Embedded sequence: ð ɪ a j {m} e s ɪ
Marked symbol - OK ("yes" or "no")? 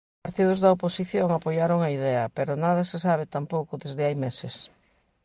yes